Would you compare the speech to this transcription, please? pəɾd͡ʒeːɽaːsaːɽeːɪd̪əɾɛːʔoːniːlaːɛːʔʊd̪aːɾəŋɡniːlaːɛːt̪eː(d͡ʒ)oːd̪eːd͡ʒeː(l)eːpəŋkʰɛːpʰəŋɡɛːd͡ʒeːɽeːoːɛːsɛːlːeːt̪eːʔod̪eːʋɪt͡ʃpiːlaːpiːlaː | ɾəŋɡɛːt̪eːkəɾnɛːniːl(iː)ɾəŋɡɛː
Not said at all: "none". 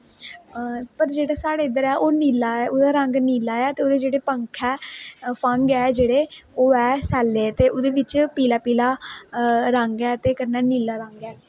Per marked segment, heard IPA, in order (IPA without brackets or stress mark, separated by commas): none, ɽ, aː